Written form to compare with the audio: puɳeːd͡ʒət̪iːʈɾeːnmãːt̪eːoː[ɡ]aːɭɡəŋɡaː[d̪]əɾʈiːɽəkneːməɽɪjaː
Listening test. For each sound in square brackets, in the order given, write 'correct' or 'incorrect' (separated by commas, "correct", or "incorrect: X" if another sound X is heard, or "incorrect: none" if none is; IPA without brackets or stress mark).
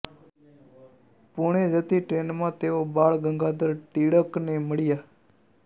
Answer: incorrect: b, correct